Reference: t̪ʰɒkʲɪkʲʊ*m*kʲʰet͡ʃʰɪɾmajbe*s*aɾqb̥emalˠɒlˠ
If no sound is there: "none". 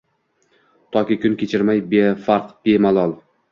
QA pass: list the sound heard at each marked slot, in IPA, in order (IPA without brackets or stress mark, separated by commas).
n, f